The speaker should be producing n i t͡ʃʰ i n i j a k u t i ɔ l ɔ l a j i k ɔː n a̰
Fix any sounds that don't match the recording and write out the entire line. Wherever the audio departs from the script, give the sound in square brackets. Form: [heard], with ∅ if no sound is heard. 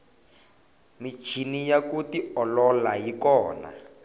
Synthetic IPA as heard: [m] i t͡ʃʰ i n i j a k u t i ɔ l ɔ l a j i k ɔː n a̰